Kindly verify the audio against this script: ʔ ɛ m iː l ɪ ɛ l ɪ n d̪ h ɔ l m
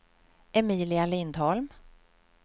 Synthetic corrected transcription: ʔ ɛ m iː l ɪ a l ɪ n d̪ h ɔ l m